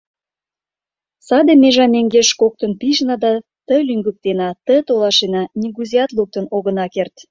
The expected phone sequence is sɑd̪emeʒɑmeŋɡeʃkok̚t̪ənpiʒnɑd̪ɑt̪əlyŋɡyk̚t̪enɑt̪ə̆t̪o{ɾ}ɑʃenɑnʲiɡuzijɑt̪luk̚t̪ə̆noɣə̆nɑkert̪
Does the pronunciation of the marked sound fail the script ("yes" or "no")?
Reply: yes